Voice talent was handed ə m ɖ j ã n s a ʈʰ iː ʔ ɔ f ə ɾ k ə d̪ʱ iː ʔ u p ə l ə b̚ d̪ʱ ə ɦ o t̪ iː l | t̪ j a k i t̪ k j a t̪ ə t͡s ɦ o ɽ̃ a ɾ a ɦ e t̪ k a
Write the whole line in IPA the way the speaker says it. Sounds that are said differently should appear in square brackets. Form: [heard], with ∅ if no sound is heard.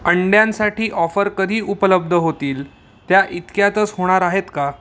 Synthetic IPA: ə [ɳ] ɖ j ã n s a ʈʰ iː ʔ ɔ f ə ɾ k ə d̪ʱ iː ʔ u p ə l ə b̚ d̪ʱ ə ɦ o t̪ iː l | t̪ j a [ʔ] i t̪ k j a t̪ ə t͡s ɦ o ɽ̃ a ɾ a ɦ e t̪ k a